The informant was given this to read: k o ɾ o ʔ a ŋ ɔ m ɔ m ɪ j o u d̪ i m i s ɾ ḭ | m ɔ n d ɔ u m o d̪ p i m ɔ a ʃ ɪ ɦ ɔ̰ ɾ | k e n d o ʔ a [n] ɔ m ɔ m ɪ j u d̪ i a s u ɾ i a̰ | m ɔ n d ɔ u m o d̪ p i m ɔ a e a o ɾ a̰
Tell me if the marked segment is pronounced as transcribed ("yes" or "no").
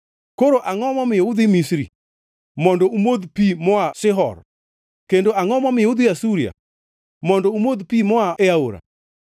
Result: no